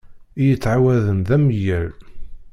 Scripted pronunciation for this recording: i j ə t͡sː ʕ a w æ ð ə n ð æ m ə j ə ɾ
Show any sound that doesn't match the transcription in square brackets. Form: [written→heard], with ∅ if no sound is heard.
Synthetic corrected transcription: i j ə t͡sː ʕ a w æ ð ə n ð æ m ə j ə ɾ